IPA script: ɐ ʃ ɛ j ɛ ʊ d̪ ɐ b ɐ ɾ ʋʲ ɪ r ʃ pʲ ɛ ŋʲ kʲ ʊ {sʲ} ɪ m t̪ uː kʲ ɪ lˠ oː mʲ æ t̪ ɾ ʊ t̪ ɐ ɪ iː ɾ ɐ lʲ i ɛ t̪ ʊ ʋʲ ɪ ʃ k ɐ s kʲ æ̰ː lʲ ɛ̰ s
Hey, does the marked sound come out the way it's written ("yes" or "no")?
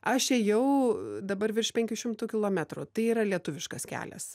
no